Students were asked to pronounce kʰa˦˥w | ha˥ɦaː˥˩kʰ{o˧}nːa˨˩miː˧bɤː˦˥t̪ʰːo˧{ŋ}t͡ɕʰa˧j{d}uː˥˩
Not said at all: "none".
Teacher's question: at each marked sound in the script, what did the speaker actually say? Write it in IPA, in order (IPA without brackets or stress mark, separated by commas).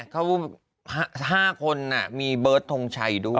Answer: o˧, ŋ, d